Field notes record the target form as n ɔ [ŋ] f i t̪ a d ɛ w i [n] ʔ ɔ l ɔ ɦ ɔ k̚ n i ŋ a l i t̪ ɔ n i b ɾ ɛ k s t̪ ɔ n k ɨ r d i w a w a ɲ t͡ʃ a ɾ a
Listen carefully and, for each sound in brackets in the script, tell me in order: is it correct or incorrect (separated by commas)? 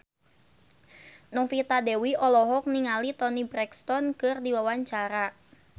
correct, incorrect